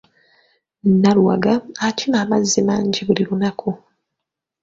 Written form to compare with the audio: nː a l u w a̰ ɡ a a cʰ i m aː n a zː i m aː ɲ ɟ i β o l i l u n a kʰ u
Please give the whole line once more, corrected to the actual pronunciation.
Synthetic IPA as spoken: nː a l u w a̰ ɡ a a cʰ i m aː m a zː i m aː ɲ ɟ i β u l i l u n a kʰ u